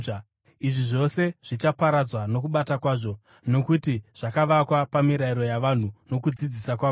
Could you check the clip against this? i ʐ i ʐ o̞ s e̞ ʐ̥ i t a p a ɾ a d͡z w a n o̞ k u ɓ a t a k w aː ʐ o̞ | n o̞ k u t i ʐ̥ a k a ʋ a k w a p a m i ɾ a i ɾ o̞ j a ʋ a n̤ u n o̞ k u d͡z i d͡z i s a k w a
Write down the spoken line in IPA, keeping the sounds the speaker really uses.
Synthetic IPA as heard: i ʐ i ʐ o̞ s e̞ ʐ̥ i t͡ʃ a p a ɾ a d͡z w a n o̞ k u ɓ a t a k w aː ʐ o̞ | n o̞ k u t i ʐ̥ a k a ʋ a k w a p a m i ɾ a i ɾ o̞ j a ʋ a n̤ u n o̞ k u d͡z i d͡z i s a k w a